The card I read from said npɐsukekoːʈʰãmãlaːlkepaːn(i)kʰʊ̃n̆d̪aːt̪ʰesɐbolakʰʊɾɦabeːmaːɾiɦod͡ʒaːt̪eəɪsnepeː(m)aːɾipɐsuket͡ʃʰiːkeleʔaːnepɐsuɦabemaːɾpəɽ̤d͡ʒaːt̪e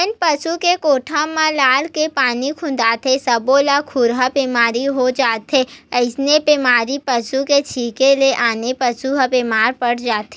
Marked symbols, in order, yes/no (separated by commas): yes, yes